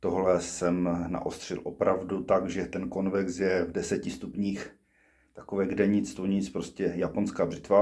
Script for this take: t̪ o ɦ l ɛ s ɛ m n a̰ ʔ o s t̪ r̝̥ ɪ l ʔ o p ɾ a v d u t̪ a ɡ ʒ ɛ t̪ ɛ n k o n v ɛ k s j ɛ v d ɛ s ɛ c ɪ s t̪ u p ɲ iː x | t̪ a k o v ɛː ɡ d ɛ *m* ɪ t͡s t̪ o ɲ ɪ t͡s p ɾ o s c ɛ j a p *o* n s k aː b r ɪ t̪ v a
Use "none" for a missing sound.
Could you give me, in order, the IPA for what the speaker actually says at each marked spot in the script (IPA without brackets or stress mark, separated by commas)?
ɲ, o